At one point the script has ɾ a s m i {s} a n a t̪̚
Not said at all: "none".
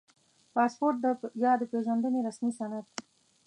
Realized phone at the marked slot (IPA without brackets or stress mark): s